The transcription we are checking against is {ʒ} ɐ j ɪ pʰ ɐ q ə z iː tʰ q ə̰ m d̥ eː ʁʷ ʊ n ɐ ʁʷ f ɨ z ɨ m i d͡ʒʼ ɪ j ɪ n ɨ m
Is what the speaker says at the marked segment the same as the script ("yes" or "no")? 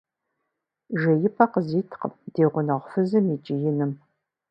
yes